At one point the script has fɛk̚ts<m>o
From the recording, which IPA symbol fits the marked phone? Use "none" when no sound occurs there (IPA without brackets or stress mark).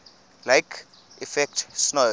n